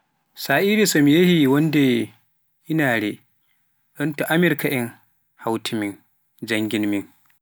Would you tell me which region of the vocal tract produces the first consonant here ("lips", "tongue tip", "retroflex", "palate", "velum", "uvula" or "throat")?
tongue tip